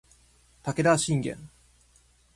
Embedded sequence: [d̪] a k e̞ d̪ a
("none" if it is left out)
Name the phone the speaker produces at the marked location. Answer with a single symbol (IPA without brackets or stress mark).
t̪